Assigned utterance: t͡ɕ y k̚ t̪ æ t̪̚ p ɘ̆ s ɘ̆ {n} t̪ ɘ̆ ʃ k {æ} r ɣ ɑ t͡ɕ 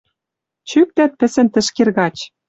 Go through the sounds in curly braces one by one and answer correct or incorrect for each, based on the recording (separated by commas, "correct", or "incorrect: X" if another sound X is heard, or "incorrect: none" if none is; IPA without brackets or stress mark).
correct, incorrect: e